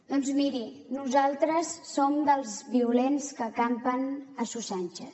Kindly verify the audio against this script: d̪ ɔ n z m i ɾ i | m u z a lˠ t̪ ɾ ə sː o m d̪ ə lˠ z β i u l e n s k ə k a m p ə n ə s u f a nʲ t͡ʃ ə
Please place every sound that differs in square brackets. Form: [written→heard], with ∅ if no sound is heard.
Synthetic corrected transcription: d̪ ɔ n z m i ɾ i | [m→n] u z a lˠ t̪ ɾ ə sː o m d̪ ə lˠ z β i u l e n s k ə k a m p ə n ə s u [f→s] a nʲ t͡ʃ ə